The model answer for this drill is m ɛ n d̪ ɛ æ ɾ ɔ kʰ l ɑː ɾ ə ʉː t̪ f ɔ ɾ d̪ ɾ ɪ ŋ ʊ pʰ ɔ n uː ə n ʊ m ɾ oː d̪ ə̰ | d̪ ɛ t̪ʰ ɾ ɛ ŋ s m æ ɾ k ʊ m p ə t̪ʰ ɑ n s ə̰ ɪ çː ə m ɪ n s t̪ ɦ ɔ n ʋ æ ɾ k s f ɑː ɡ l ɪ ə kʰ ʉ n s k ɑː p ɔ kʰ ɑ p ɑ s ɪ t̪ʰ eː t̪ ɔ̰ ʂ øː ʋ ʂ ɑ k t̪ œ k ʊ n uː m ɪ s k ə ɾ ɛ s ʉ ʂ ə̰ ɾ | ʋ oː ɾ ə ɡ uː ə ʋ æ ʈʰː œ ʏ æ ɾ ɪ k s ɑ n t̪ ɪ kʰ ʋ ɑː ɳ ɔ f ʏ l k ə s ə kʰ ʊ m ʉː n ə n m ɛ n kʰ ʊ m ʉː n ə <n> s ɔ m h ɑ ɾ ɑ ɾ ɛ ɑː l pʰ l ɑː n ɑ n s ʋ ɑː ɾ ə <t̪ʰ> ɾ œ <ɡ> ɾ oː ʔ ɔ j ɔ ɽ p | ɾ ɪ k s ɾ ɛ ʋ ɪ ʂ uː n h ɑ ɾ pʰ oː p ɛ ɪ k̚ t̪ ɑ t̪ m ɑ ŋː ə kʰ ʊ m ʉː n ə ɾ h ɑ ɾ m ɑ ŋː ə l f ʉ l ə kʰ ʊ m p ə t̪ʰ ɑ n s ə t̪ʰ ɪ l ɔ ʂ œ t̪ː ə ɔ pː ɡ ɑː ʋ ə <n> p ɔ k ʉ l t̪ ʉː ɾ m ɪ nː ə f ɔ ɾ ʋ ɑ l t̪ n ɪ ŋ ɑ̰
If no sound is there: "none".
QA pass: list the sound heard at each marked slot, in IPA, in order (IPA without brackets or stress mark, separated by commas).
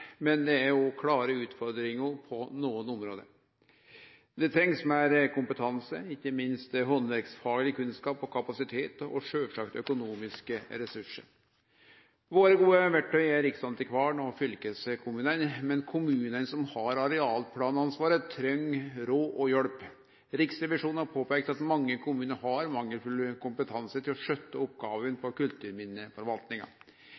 n, t̪ʰ, ŋ, n